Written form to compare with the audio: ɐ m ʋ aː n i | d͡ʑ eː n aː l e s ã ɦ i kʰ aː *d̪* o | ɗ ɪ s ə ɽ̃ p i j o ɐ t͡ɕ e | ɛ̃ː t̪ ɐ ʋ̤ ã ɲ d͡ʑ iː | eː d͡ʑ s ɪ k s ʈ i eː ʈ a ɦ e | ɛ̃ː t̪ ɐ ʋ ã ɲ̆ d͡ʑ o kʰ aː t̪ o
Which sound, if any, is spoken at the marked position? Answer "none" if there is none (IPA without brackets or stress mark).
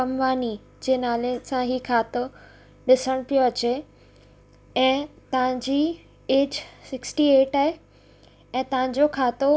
t̪